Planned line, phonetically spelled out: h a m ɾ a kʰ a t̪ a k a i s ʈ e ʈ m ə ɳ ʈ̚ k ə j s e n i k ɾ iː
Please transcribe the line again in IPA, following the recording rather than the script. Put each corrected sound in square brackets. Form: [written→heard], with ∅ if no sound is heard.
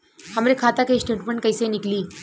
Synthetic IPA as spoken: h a m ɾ [a→e] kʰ a t̪ a k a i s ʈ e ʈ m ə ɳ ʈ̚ k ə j s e n i k [ɾ→l] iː